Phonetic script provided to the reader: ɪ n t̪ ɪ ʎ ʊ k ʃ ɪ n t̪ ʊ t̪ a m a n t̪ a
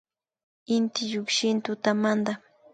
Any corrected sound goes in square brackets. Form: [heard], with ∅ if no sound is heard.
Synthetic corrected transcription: ɪ n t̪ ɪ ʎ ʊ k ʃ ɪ n t̪ ʊ t̪ a m a n [d̪] a

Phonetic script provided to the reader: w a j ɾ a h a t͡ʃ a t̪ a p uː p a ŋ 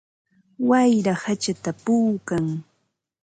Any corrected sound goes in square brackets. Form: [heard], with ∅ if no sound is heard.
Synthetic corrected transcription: w a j ɾ a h a t͡ʃ a t̪ a p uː [k] a ŋ

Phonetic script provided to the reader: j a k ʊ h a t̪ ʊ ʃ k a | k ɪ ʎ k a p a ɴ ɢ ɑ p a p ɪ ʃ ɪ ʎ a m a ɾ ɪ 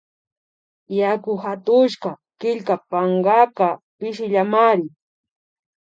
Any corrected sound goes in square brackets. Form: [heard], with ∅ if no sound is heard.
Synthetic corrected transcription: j a k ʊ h a t̪ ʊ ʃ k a | k ɪ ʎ k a p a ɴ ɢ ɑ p a p ɪ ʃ ɪ ʎ a m a ɾ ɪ

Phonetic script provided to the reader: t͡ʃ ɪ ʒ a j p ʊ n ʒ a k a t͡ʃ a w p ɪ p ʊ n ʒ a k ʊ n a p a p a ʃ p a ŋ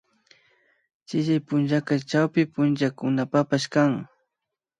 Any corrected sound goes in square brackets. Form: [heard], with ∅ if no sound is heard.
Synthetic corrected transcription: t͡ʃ ɪ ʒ a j p ʊ n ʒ a k a t͡ʃ a w p ɪ p ʊ n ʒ a k ʊ n a p a p a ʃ [k] a ŋ

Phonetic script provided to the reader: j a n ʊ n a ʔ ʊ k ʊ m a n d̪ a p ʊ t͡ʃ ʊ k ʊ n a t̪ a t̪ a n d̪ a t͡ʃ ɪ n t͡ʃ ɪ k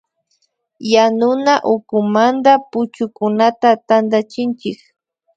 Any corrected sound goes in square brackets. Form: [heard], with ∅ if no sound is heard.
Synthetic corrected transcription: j a n ʊ n a ʔ ʊ k ʊ m a n d̪ a p ʊ t͡ʃ ʊ k ʊ n a t̪ a t̪ a n d̪ a t͡ʃ ɪ n t͡ʃ ɪ k

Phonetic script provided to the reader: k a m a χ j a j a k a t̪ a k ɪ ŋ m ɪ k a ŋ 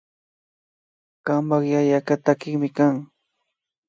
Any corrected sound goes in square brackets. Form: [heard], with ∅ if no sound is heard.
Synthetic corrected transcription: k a m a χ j a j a k a t̪ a k ɪ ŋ m ɪ k a ŋ

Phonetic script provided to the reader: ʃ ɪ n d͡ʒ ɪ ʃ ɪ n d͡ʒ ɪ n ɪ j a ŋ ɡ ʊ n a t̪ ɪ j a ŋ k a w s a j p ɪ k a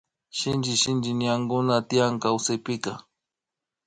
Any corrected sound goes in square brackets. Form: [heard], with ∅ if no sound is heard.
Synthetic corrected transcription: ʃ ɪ n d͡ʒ ɪ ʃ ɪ n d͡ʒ ɪ n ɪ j a ŋ ɡ ʊ n a t̪ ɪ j a ŋ k a w s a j p ɪ k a

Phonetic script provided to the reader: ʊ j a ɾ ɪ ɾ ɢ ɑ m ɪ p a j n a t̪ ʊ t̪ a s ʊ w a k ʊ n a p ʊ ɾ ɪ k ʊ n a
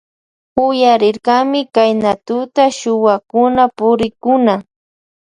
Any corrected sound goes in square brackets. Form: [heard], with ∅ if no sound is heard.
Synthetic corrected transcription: ʊ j a ɾ ɪ ɾ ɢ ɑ m ɪ [k] a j n a t̪ ʊ t̪ a [ʃ] ʊ w a k ʊ n a p ʊ ɾ ɪ k ʊ n a

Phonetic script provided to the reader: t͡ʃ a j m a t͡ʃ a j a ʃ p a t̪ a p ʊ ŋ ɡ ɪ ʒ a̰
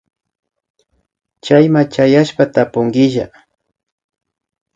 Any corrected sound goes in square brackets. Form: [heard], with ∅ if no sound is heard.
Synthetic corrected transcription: t͡ʃ a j m a t͡ʃ a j a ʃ p a t̪ a p ʊ ŋ ɡ ɪ ʒ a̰

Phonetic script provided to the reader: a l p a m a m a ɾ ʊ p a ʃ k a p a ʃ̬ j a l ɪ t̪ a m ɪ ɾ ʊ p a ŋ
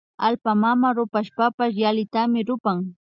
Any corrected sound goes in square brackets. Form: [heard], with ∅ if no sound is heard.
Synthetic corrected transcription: a l p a m a m a ɾ ʊ p a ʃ [p] a p a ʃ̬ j a l ɪ t̪ a m ɪ ɾ ʊ p a ŋ

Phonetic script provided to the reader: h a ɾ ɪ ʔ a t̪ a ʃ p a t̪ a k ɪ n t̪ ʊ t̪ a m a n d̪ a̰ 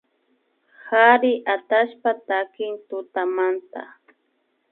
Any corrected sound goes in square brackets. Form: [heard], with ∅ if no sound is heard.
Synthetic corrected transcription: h a ɾ ɪ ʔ a t̪ a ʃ p a t̪ a k ɪ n t̪ ʊ t̪ a m a n [t̪] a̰

